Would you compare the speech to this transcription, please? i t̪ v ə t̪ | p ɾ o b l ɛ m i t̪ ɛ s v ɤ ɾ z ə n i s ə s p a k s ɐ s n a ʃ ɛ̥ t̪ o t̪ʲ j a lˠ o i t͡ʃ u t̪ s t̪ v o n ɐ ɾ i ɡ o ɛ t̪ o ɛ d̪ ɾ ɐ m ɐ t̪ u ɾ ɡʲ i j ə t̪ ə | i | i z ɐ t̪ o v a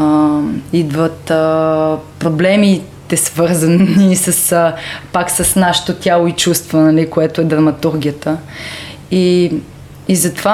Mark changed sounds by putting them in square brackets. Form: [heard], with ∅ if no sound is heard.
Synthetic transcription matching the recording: i [d̪] v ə t̪ | p ɾ o b l ɛ m i t̪ ɛ s v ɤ ɾ z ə n i s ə s p a k s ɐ s n a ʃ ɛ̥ t̪ o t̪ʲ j a lˠ o i t͡ʃ u [∅] s t̪ v o n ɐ [l] i [k] o ɛ t̪ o ɛ d̪ ɾ ɐ m ɐ t̪ u ɾ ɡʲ i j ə t̪ ə | i | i z ɐ t̪ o v a